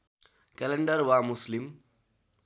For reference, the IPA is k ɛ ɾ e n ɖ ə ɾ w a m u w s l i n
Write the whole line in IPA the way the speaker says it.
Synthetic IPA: k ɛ l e ɳ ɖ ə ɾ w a m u s l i m